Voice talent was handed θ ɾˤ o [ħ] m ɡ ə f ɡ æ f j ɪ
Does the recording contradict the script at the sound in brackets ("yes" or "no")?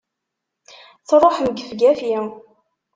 no